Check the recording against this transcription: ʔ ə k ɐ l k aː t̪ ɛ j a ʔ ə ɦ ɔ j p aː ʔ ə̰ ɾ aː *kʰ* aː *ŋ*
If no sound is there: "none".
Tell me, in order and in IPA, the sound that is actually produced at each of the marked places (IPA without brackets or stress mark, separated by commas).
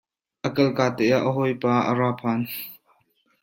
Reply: pʰ, n